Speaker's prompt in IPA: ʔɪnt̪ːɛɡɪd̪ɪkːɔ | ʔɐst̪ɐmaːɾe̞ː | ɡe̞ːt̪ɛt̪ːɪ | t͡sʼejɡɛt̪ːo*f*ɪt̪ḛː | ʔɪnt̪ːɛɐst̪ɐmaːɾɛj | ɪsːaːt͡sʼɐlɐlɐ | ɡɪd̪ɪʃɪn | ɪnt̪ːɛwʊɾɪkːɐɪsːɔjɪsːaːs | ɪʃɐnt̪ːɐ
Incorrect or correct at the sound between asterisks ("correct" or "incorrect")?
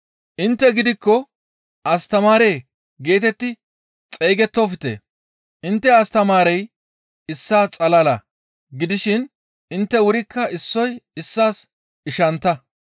correct